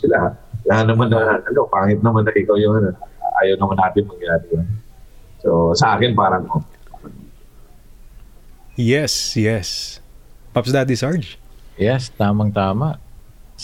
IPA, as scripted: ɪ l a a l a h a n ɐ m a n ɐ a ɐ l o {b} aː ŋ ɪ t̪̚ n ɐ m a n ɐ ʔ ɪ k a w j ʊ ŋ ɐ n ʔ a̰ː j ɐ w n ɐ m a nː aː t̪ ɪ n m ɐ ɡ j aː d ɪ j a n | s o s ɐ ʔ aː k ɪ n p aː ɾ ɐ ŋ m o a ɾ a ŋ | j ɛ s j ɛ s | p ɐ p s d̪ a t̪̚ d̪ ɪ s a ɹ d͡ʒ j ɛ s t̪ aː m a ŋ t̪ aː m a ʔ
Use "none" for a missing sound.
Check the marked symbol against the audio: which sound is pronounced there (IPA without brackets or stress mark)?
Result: p